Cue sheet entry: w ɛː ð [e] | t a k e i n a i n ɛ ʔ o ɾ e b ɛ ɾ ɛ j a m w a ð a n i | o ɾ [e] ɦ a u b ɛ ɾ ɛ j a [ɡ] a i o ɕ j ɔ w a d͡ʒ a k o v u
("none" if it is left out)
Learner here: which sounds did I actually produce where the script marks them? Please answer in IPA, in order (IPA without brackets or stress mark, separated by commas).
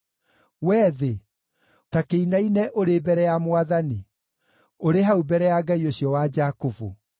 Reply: e, e, ɡ